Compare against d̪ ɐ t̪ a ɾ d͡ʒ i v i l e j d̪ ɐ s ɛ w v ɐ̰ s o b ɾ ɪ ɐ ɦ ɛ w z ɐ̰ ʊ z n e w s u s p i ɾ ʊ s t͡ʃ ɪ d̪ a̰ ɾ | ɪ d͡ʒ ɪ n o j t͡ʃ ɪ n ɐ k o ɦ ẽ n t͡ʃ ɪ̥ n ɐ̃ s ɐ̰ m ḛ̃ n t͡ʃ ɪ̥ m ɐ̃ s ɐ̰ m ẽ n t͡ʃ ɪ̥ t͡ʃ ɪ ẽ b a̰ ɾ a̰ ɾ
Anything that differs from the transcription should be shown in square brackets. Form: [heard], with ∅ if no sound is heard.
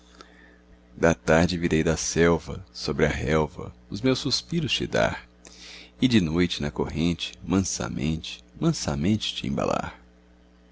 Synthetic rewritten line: d̪ ɐ t̪ a ɾ d͡ʒ [ɪ] v i [ɾ] e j d̪ ɐ s ɛ w v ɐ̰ s o b ɾ ɪ ɐ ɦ ɛ w [v] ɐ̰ ʊ z [m] e w s u s p i ɾ ʊ s t͡ʃ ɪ d̪ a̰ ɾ | ɪ d͡ʒ ɪ n o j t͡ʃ ɪ n ɐ k o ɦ ẽ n t͡ʃ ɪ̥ [m] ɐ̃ s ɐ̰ m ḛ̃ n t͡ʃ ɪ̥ m ɐ̃ s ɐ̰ m ẽ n t͡ʃ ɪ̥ t͡ʃ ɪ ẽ b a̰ [l] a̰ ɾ